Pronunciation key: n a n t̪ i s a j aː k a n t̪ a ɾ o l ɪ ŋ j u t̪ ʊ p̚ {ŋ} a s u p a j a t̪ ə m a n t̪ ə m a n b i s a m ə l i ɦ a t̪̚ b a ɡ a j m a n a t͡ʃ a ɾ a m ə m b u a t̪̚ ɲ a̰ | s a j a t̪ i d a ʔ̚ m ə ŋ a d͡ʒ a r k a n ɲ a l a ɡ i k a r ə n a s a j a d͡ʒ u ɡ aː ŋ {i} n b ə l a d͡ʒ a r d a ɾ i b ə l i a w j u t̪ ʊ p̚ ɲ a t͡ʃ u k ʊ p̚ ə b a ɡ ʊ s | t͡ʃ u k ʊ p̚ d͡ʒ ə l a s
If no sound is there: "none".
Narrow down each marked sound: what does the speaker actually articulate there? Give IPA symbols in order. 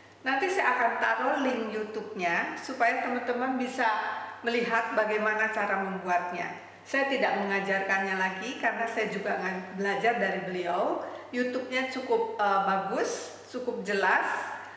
ɲ, a

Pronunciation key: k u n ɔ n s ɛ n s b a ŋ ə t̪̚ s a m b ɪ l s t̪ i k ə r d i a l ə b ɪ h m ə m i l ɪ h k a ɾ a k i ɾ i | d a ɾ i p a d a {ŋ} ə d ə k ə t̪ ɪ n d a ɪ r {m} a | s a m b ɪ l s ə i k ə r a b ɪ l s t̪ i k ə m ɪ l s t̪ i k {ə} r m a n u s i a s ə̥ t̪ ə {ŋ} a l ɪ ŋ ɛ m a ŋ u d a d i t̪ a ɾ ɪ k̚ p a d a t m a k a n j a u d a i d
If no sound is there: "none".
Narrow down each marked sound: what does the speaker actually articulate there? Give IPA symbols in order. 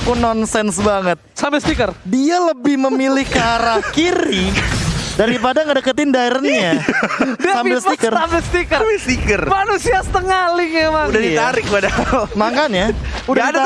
ŋ, ɲ, ə, ŋ

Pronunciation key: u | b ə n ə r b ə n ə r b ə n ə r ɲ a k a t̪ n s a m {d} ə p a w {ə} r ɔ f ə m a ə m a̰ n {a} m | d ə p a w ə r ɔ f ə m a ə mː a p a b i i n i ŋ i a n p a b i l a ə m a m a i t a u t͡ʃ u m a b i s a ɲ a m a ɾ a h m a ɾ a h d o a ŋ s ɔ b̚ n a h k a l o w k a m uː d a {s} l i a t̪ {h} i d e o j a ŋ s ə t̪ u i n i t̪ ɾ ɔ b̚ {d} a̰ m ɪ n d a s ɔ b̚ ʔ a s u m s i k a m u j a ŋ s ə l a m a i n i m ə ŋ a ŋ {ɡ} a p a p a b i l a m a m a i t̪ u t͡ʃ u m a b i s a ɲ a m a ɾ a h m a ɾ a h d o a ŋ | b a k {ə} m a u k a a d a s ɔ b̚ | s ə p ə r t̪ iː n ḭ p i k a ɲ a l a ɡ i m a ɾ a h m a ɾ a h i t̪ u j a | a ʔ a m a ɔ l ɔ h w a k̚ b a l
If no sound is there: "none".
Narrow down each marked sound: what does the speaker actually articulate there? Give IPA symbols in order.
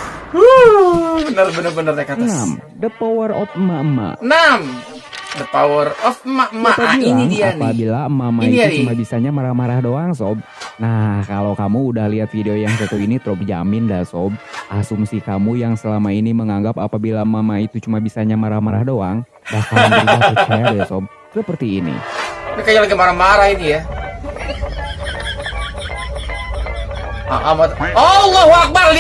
d, ə, a, h, f, d͡ʒ, ɡ, a

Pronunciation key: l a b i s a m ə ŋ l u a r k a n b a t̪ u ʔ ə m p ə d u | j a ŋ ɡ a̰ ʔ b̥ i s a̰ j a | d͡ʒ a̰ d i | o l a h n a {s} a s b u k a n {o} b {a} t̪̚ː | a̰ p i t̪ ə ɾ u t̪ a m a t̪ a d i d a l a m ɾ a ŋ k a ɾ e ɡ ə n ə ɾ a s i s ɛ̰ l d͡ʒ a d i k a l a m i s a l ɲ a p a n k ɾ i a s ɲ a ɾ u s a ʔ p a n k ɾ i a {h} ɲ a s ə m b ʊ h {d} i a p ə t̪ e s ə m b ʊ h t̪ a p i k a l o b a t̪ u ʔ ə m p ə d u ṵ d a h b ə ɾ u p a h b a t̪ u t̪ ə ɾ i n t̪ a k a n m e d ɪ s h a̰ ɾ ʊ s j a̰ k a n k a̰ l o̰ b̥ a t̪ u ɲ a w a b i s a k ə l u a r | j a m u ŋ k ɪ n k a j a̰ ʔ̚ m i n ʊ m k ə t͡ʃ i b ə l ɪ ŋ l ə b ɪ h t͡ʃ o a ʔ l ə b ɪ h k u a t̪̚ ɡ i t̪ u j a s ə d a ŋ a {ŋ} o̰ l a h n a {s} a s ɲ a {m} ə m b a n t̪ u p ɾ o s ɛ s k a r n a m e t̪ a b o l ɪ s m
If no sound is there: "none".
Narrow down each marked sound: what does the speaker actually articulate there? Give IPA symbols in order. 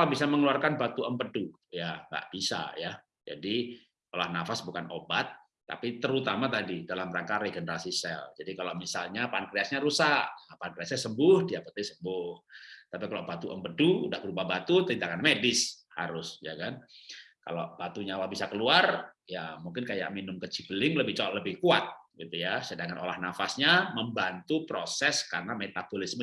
f, o, a, s, d, n, f, m

